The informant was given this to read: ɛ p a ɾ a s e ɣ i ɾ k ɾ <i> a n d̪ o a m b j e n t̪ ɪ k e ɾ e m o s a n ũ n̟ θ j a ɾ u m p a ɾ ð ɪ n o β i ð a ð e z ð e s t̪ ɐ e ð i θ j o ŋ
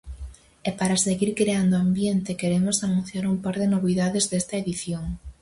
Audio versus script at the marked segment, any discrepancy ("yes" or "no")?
yes